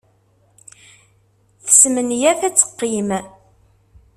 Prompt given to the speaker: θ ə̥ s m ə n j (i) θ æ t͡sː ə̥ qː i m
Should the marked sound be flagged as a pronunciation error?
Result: yes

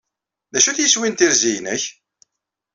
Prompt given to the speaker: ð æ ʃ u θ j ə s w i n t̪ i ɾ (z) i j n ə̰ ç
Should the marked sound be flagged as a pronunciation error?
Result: no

